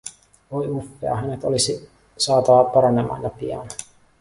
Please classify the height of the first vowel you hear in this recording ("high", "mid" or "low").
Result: mid